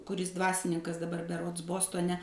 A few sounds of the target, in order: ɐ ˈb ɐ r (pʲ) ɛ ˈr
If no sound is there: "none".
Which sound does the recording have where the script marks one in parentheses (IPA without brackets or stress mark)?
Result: bʲ